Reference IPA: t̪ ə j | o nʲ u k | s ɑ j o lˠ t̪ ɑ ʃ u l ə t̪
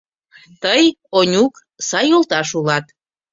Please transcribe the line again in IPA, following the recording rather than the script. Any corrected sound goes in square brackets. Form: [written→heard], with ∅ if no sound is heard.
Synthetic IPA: t̪ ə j | o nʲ u k | s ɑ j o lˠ t̪ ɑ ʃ u l [ə→ɑ] t̪